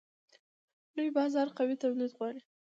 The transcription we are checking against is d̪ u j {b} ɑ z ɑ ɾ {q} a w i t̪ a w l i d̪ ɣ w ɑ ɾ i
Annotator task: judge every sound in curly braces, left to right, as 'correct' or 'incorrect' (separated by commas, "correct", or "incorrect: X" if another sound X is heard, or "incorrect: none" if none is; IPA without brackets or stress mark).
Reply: correct, correct